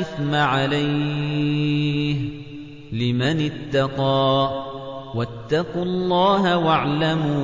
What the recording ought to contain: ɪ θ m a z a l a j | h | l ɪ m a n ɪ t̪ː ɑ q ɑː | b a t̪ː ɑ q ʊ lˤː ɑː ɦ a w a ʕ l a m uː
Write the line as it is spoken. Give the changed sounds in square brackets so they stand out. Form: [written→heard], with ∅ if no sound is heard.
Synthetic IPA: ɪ θ m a [z→ʕ] a l a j | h | l ɪ m a n ɪ t̪ː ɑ q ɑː | [b→w] a t̪ː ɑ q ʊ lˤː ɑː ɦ a w a ʕ l a m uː